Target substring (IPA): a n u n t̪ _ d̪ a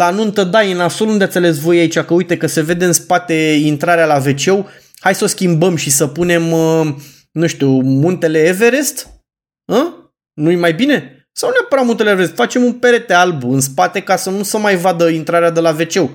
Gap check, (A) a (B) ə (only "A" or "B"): B